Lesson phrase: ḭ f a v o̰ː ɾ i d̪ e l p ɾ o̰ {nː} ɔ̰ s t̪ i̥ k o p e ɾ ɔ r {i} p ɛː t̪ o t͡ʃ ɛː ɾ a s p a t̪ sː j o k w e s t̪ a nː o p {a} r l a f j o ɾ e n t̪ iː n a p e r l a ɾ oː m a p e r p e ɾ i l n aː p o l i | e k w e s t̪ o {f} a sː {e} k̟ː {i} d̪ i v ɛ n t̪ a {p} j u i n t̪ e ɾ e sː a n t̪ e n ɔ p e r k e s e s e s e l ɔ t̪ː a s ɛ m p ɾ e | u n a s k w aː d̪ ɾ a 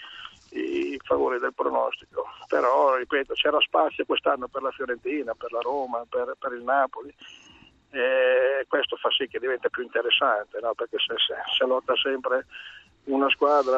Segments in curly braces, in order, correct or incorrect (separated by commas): incorrect, correct, incorrect, correct, incorrect, incorrect, correct